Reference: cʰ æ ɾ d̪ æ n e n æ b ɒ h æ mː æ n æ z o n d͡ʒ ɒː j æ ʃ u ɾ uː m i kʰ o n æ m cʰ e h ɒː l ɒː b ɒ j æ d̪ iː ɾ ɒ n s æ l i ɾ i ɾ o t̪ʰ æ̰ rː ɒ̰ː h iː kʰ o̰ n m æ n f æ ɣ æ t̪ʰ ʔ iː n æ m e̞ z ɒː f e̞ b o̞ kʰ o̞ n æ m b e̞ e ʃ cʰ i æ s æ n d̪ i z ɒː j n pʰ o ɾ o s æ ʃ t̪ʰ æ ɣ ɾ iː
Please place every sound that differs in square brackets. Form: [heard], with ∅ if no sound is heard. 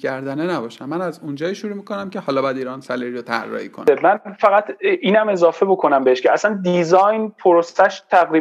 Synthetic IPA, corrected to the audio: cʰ æ ɾ d̪ æ n e n æ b ɒ [ʃ] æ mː æ n æ z [u] n d͡ʒ ɒː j [i] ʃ u ɾ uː m i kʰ o n æ m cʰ e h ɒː l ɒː b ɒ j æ d̪ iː ɾ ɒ n s æ l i ɾ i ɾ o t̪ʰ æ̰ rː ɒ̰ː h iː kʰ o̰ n m æ n f æ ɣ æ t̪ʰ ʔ iː n æ m e̞ z ɒː f e̞ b o̞ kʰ o̞ n æ m b e̞ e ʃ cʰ [e] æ s æ n d̪ i z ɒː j n pʰ o ɾ o s æ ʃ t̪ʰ æ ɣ ɾ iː